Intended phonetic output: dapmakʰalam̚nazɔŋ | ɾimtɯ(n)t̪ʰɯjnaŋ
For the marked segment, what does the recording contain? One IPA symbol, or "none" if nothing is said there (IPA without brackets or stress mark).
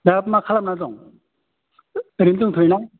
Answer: ŋ